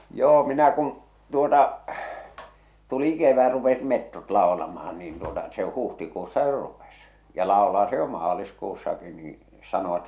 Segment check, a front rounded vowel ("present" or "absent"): absent